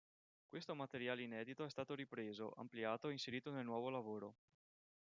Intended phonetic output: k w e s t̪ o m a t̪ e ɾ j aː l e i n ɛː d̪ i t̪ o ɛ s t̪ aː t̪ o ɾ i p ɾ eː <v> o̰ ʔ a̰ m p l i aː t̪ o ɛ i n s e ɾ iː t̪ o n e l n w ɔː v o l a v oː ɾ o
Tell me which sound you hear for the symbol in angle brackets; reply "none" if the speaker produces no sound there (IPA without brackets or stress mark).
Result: z